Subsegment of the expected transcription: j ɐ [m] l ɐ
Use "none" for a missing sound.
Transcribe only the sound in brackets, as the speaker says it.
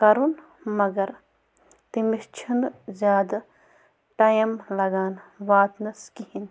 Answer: m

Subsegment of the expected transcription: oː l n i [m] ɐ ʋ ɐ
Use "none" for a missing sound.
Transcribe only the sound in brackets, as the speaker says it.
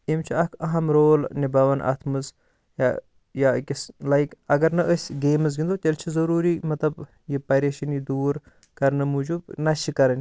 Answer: b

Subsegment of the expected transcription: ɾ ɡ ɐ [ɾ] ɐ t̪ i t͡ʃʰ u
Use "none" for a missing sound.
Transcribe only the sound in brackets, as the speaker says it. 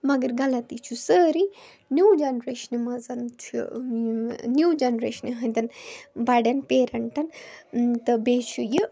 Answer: l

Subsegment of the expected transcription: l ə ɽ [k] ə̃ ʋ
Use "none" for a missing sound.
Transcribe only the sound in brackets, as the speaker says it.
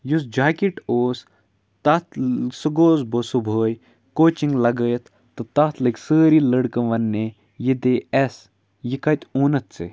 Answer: k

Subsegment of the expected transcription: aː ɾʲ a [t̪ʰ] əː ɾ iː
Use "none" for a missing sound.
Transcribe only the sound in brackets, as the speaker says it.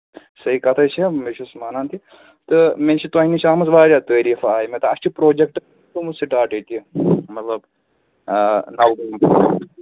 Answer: t̪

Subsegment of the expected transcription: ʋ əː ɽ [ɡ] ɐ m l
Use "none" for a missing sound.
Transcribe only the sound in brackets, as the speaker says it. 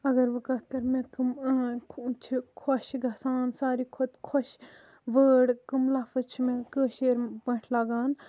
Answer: k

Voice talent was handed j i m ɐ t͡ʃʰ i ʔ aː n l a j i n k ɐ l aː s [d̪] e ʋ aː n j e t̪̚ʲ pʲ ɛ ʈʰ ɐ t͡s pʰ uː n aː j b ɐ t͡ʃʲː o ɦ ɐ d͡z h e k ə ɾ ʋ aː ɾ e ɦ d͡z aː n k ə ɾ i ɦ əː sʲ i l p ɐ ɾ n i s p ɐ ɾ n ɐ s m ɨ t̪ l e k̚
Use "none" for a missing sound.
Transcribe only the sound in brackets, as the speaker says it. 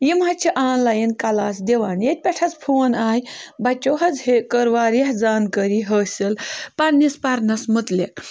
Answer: d̪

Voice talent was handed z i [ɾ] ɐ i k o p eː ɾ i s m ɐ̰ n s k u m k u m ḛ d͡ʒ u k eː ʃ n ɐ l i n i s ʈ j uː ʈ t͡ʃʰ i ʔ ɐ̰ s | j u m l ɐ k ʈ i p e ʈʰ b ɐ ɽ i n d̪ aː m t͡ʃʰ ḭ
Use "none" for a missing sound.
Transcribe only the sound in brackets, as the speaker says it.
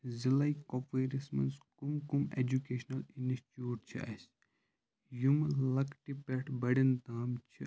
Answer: l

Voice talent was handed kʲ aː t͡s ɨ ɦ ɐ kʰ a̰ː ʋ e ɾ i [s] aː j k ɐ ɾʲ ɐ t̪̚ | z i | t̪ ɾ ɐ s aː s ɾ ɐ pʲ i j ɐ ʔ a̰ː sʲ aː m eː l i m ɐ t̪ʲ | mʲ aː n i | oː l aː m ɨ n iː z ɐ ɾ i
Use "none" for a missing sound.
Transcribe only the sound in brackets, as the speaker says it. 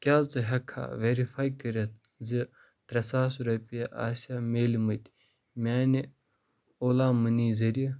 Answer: f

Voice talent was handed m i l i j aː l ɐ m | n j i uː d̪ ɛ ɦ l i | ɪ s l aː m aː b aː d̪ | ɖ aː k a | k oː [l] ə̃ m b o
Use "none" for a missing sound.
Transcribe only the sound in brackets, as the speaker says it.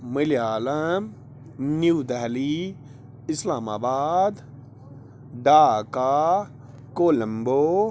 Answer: l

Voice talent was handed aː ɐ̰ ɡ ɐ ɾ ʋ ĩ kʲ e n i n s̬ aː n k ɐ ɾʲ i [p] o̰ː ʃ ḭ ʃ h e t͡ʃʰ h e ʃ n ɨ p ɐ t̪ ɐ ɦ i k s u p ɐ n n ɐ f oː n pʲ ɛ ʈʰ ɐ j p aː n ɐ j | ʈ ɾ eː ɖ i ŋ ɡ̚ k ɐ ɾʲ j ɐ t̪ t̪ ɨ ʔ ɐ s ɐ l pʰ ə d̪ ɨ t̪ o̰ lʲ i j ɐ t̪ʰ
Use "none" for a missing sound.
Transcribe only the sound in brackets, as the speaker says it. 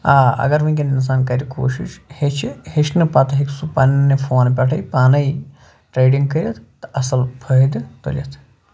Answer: k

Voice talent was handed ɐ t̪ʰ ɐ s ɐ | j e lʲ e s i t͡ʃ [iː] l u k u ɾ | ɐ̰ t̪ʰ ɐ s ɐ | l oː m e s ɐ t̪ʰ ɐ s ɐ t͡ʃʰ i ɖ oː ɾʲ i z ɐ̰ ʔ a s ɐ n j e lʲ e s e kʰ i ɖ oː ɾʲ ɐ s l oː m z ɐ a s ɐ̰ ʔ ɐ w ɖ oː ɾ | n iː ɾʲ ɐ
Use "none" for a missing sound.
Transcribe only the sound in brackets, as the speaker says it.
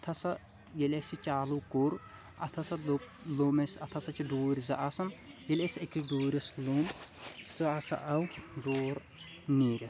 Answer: aː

